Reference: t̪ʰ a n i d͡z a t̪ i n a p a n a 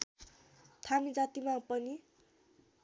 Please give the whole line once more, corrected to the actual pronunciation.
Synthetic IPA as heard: t̪ʰ a m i d͡z a t̪ i m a p ʌ n i